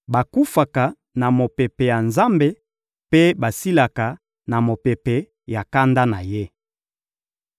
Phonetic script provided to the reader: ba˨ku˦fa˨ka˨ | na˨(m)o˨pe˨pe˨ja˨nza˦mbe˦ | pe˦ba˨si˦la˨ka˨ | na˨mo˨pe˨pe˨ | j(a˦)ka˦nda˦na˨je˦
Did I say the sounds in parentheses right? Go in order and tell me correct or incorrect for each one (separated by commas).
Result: correct, incorrect